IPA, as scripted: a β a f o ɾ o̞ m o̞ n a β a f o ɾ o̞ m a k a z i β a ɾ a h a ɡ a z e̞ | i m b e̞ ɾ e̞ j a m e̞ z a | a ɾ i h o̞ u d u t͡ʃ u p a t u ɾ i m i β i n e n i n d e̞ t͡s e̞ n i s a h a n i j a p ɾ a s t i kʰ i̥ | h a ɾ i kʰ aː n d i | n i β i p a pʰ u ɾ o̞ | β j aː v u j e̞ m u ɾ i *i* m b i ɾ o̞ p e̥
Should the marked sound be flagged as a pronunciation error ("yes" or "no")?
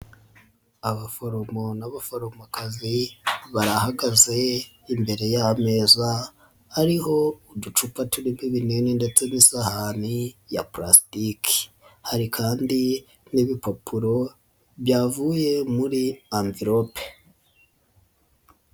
yes